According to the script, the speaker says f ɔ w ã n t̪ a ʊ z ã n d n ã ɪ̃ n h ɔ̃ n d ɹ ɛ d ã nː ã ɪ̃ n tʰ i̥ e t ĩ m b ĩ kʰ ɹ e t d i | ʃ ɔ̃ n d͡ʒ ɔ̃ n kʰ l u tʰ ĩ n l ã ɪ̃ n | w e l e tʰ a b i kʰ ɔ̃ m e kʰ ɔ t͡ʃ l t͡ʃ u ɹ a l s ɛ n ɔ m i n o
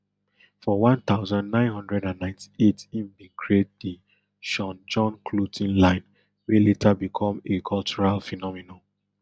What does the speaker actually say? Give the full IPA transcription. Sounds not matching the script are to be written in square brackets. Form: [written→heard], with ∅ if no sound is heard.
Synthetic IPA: f ɔ w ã n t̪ a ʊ z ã n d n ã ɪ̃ n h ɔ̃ n d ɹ ɛ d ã nː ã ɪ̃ n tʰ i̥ e t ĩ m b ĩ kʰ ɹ e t d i | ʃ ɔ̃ n d͡ʒ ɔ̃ n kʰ l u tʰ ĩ n l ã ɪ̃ n | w e l e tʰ a b i kʰ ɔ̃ m e kʰ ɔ [t͡ʃ→∅] l t͡ʃ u ɹ a l [s→f] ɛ n ɔ m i n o

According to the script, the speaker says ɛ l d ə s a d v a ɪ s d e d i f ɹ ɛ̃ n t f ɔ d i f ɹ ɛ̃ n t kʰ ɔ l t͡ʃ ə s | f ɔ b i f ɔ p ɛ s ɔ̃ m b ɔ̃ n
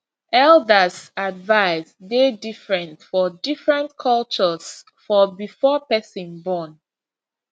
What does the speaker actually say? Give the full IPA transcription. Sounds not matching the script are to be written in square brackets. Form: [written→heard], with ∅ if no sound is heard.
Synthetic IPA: ɛ l d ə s a d v a ɪ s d e d i f ɹ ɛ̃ n t f ɔ d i f ɹ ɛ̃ n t kʰ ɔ l t͡ʃ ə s | f ɔ b i f ɔ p ɛ s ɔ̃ [m→n] b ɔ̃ n

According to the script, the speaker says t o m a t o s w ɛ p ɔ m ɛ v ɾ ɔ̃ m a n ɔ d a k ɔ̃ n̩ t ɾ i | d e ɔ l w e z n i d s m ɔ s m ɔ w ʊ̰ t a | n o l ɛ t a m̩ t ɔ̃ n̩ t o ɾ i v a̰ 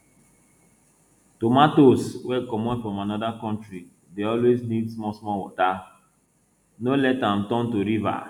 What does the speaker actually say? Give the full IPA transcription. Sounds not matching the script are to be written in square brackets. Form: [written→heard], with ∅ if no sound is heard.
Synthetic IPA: t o m a t o s w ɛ [p→k] ɔ m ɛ [v→f] ɾ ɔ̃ m a n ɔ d a k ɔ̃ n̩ t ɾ i | d e ɔ l w e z n i d s m ɔ s m ɔ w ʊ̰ t a | n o l ɛ t a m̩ t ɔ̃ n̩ t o ɾ i v a̰

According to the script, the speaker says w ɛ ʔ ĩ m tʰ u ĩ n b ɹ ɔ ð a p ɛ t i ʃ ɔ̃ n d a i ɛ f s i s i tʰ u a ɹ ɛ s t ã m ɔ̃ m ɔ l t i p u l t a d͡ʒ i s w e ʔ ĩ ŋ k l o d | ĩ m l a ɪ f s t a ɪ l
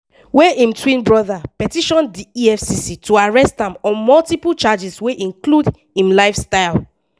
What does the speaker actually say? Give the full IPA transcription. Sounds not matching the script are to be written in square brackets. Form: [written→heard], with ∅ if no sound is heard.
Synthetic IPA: w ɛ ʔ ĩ m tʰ [u→w] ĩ n b ɹ ɔ ð a p ɛ t i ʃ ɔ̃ n d [a→i] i ɛ f s i s i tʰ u a ɹ ɛ s t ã m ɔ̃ m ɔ l t i p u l [t→t͡ʃ] a d͡ʒ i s w e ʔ ĩ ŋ k l [o→u] d | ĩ m l a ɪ f s t a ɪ l

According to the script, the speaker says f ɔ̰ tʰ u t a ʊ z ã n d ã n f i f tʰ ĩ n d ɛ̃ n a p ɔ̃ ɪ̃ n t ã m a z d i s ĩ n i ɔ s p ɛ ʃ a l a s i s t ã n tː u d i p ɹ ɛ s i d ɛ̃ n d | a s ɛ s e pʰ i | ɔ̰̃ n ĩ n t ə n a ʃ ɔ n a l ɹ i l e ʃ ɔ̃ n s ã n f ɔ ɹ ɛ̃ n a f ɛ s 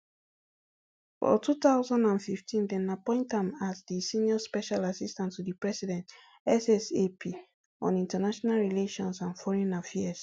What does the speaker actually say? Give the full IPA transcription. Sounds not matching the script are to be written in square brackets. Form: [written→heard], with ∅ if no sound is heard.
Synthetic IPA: f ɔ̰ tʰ u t a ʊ z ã n d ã n f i f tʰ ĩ n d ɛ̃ n a p ɔ̃ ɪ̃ n t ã m a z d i s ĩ n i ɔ s p ɛ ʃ a l a s i s t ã n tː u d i p ɹ ɛ s i d ɛ̃ n [d→t] | [a→ɛ] s ɛ s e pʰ i | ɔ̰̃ n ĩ n t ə n a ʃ ɔ n a l ɹ i l e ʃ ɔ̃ n s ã n f ɔ ɹ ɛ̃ n a f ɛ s

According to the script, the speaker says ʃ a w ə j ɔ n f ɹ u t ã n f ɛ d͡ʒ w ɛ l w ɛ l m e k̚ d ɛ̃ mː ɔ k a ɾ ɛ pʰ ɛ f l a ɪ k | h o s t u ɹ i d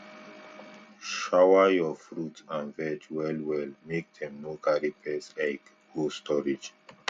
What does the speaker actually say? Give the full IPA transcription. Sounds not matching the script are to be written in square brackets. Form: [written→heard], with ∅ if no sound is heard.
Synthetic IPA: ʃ a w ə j ɔ [n→∅] f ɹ u t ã n [f→v] ɛ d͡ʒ w ɛ l w ɛ l m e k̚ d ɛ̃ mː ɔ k a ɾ [ɛ→i] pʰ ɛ [f→s] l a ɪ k | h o s t [u→ɔ] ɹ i [d→d͡ʒ]

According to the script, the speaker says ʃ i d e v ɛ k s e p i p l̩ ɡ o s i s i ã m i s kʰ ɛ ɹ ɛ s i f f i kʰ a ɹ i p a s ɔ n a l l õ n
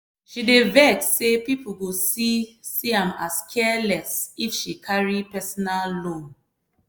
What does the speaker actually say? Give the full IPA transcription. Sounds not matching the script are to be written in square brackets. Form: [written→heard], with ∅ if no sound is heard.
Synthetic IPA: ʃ i d e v ɛ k s e p i p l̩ ɡ o s i s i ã m [i→a] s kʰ ɛ [ɹ→l] ɛ s i f [f→ʃ] i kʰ a ɹ i p [a→ɛ] s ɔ n a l l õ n

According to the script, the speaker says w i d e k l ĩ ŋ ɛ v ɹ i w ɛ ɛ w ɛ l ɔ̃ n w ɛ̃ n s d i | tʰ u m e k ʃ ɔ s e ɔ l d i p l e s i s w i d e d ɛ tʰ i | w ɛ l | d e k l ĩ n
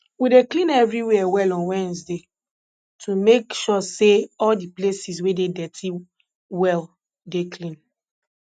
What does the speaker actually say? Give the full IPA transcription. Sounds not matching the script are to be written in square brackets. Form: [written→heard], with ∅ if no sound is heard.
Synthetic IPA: w i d e k l ĩ [ŋ→n] ɛ v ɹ i w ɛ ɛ w ɛ l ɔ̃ n w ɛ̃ n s d [i→e] | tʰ u m e k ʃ ɔ s e ɔ l d i p l e s i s w [i→e] d e d ɛ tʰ i | w ɛ l | d e k l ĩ n

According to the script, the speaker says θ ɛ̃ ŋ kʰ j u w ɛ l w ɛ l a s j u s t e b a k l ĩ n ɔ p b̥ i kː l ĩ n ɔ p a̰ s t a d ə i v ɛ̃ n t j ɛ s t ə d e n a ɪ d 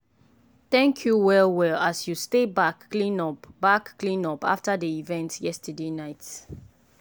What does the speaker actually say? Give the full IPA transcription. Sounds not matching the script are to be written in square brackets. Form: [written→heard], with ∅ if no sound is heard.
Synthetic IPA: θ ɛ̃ ŋ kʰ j u w ɛ l w ɛ l a s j u s t e b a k l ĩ n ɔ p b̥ [i→a] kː l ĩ n ɔ p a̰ [s→f] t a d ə i v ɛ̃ n t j ɛ s t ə d e n a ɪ [d→t]

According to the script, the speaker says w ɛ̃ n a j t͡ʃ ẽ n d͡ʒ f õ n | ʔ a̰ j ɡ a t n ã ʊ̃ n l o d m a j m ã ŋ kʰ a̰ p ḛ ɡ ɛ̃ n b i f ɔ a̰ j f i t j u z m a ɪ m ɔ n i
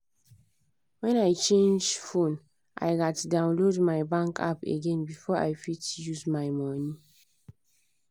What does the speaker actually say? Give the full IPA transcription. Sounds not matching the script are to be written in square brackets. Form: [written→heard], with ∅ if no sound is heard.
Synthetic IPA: w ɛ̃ n a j t͡ʃ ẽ n d͡ʒ f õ n | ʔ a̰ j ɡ a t [n→d] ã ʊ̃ n l o d m a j [m→b] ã ŋ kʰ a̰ p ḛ ɡ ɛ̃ n b i f ɔ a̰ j f i t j u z m a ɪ m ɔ n i

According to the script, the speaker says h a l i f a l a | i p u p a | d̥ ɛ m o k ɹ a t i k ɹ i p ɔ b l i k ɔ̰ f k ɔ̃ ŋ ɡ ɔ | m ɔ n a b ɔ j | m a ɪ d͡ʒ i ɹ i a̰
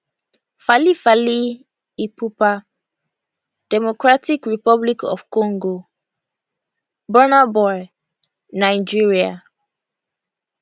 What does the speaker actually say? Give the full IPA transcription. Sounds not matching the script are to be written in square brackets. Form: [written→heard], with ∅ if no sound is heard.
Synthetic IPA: [h→f] a l i f a l [a→i] | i p u p a | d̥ ɛ m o k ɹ a t i k ɹ i p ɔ b l i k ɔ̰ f k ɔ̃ ŋ ɡ [ɔ→o] | [m→b] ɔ n a b ɔ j | [m→n] a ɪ d͡ʒ i ɹ i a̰

